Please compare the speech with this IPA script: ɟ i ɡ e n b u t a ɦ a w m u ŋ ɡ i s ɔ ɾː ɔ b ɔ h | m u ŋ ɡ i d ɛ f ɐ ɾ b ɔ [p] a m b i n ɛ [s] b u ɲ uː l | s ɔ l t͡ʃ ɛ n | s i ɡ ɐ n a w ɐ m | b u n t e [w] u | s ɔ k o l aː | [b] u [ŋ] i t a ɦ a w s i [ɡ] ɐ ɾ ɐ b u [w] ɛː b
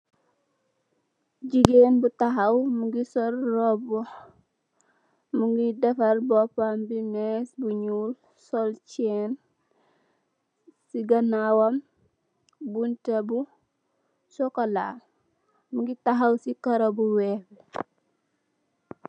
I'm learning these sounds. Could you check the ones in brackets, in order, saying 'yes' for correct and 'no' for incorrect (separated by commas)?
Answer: yes, yes, no, no, no, no, yes